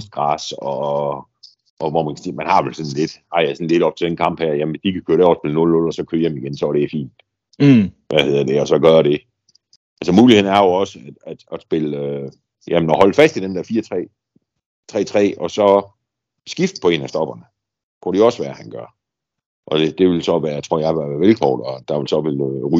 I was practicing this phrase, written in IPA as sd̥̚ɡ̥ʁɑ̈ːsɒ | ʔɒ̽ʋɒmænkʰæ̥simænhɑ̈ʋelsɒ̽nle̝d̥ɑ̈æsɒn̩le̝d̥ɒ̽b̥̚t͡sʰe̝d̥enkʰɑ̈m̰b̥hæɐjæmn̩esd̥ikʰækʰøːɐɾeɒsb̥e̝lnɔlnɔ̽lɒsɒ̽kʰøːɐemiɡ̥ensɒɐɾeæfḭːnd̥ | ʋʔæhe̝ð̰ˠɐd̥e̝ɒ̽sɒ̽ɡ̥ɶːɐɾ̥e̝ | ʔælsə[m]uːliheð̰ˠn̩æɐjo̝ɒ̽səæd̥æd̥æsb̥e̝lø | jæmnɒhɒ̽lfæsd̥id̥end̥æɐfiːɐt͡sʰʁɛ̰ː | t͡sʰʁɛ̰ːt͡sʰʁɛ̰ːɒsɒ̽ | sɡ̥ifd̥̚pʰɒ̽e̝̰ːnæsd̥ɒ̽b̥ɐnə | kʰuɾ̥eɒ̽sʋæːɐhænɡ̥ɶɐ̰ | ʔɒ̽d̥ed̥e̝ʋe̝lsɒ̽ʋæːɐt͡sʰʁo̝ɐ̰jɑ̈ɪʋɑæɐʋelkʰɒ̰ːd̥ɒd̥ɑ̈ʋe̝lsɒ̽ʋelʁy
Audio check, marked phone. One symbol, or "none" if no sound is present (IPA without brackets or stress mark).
m